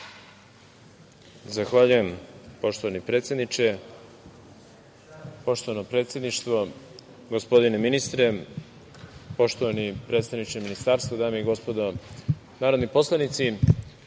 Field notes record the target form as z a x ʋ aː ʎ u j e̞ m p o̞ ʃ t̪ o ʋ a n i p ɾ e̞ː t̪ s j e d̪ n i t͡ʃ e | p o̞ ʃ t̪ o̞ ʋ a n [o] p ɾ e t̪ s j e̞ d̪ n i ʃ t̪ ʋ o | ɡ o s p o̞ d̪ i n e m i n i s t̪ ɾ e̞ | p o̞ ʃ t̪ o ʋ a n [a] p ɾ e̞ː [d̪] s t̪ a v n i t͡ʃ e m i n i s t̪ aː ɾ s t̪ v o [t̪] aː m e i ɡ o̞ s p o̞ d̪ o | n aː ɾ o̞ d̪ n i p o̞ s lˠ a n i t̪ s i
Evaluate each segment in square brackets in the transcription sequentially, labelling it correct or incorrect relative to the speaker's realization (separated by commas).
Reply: correct, incorrect, incorrect, incorrect